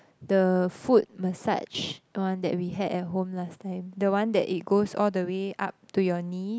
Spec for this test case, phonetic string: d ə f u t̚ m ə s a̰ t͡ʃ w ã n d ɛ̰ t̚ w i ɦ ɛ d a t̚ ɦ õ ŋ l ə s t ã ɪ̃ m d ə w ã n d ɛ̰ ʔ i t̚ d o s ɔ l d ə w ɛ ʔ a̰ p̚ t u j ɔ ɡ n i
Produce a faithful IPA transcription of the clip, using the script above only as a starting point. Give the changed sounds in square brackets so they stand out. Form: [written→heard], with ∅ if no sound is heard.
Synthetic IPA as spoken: d ə f u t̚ m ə s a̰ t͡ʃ w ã n d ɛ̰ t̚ w i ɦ ɛ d [a→ɛ] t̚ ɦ õ [ŋ→m] l [ə→a] s t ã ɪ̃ m d ə w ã n d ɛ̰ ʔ i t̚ [d→ɡ] o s ɔ l d ə w [ɛ→e] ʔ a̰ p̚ t u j ɔ [ɡ→∅] n i

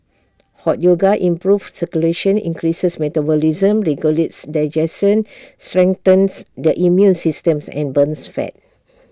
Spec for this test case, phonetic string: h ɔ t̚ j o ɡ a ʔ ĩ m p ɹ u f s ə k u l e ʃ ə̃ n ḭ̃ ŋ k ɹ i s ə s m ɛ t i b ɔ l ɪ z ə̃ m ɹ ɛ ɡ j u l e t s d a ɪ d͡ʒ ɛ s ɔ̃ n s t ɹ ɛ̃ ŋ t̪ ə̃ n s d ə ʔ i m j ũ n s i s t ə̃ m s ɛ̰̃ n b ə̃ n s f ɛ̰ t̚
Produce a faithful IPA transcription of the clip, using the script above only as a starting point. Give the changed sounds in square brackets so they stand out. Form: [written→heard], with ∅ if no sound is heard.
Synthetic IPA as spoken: h ɔ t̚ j o ɡ a ʔ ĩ m p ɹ u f s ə k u l e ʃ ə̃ n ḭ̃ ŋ k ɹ i s ə s m ɛ t [i→a] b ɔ l [ɪ→i] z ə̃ m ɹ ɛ ɡ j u l e t s d a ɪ d͡ʒ ɛ s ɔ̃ n s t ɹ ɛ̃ ŋ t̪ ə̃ n s d ə ʔ i m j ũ n s i s t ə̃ m s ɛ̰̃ n b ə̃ n s f ɛ̰ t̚

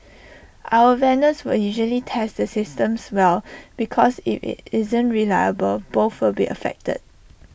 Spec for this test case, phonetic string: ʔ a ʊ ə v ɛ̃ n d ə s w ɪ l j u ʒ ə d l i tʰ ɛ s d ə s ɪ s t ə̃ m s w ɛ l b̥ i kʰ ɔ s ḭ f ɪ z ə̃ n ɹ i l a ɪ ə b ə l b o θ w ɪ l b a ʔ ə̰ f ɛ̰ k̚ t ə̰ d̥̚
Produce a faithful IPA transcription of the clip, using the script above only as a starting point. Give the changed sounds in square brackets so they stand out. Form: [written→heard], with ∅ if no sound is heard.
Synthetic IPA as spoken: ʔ a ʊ ə v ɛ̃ n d ə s w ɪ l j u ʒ ə [d→∅] l i tʰ ɛ s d ə s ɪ s t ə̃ m s w ɛ l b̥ i kʰ ɔ s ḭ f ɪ z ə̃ n ɹ i l a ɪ ə b ə l b o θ w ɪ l b [a→i] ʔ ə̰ f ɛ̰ k̚ t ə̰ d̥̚

